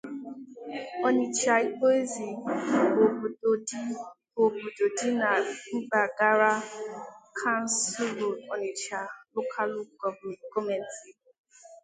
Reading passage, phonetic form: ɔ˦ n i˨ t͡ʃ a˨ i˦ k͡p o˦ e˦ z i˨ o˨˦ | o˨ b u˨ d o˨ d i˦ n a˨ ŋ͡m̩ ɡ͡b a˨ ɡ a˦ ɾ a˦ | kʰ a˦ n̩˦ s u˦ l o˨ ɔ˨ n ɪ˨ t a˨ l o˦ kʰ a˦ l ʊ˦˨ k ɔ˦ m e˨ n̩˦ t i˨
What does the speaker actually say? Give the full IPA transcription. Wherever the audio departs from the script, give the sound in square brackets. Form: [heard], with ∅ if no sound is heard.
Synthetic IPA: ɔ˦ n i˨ t͡ʃ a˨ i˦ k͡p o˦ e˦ z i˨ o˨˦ | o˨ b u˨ d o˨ d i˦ n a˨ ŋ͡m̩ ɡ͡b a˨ ɡ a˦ ɾ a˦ | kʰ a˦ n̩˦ s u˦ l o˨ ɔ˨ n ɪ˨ [t͡ʃ] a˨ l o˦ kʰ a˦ l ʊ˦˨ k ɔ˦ m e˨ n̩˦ t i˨